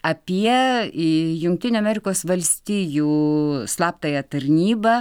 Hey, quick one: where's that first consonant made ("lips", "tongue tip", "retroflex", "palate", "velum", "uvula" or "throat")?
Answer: lips